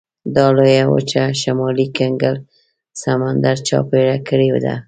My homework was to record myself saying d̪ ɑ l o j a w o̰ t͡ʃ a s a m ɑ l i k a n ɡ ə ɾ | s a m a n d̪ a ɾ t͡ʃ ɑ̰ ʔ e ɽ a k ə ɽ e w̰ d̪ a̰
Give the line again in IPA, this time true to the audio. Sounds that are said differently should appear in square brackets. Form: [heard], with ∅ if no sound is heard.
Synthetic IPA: d̪ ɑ l o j a w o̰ t͡ʃ a [ʃ] a m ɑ l i k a [ŋ] ɡ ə [l] | s a m a n d̪ a ɾ t͡ʃ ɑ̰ [p] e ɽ a k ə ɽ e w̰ d̪ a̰